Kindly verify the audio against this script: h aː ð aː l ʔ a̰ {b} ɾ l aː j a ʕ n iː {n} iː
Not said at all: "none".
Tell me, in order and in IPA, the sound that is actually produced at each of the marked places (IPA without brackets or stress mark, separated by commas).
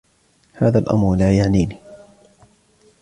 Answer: m, n